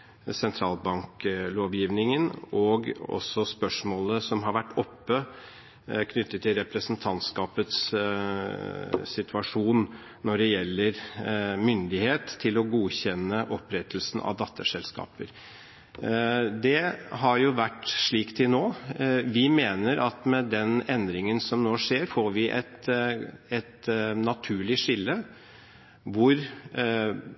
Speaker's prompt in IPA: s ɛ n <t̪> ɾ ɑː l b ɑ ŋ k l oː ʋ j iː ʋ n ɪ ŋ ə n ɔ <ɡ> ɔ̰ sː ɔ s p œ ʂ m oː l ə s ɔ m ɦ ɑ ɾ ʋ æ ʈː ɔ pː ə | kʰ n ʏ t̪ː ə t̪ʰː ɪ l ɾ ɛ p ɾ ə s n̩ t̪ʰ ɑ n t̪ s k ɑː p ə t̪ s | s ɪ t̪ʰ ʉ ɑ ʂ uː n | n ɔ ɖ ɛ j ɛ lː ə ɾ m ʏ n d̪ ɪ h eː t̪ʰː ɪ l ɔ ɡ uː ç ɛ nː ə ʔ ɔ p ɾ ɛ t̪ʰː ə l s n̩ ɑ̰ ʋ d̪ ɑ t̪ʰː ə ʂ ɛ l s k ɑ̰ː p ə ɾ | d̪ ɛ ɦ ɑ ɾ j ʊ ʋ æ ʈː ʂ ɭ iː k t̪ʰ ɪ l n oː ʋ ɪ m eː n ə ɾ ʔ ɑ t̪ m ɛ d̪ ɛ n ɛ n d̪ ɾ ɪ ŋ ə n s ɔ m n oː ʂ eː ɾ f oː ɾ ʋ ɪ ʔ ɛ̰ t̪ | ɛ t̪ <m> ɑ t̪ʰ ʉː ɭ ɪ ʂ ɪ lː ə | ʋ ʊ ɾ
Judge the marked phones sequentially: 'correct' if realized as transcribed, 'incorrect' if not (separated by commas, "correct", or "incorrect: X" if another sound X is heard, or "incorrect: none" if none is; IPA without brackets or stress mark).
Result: incorrect: t̪ʰ, correct, incorrect: n